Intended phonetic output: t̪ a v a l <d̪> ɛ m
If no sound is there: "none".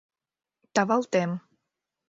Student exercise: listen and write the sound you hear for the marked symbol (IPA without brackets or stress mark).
t̪